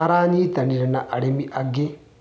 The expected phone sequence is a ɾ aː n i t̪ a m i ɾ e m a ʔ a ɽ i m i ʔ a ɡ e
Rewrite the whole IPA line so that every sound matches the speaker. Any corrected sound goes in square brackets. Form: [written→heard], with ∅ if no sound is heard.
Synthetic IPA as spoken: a ɾ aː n i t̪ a [m→n] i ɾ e [m→n] a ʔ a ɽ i m i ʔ a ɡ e

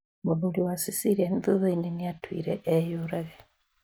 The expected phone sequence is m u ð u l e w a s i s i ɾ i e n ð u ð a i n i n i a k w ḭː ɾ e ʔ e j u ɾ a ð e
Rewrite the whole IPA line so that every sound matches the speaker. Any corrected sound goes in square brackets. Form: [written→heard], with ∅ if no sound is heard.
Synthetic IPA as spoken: m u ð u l [e→i] w a s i s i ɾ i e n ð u ð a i n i n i a [k→t] w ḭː ɾ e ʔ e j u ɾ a [ð→ɣ] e

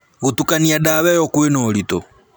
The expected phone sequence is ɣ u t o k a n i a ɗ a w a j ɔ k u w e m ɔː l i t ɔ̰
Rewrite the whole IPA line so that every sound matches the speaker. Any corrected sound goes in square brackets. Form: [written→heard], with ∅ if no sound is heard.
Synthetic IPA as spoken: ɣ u t [o→u] k a n i a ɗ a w [a→ɛ] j ɔ k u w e [m→n] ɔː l i t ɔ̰

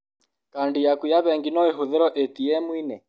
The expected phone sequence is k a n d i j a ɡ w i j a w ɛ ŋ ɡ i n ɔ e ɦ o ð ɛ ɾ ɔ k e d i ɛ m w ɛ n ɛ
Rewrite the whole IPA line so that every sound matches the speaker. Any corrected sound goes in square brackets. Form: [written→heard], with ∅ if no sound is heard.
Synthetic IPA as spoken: k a n d i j a [ɡ→k] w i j a [w→β] ɛ ŋ ɡ i n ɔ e ɦ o ð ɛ ɾ ɔ [k→ʔ] e [d→t] i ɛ m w [ɛ→i] n ɛ

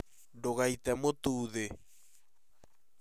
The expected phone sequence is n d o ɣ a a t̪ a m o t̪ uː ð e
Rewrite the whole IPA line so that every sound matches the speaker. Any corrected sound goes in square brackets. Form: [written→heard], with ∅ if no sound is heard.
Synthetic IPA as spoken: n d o ɣ a [a→i] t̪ [a→ɛ] m o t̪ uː ð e

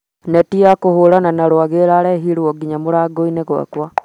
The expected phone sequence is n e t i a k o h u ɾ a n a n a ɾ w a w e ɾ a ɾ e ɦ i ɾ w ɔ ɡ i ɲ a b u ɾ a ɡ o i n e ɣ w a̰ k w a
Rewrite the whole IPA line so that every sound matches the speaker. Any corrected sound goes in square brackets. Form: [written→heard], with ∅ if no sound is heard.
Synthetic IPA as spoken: n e t i a k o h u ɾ a n a n a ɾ w a [w→ɣ] e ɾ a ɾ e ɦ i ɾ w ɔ ɡ i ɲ a [b→m] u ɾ a ɡ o i n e ɣ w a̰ k w a

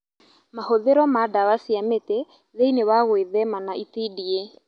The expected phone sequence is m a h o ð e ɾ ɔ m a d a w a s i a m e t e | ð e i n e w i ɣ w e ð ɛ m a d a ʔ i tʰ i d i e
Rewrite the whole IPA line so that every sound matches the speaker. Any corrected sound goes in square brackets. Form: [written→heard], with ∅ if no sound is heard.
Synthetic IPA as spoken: m a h o ð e ɾ ɔ m a d a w a s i a m e t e | ð e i n e w [i→a] ɣ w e ð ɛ m a [d→n] a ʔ i [tʰ→t] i d i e

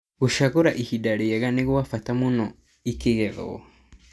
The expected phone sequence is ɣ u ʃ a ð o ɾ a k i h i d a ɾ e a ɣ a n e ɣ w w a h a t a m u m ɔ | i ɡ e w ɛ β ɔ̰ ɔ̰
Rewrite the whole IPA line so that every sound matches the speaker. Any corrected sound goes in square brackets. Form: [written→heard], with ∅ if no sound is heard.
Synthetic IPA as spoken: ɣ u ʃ a [ð→ɣ] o ɾ a [k→ʔ] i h i d a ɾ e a ɣ a n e ɣ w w a [h→f] a t a m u [m→n] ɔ | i [ɡ→k] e [w→ɣ] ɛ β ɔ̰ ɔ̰

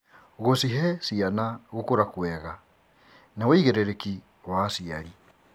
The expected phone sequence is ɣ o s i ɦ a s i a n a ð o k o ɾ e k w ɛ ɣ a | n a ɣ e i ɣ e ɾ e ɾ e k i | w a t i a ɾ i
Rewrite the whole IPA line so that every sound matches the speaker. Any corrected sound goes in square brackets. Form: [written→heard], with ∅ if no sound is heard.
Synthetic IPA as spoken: ɣ o s i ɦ [a→ɛ] s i a n a [ð→ɣ] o k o ɾ [e→a] k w ɛ ɣ a | n a [ɣ→w] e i ɣ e ɾ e ɾ e k i | w a [t→s] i a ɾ i

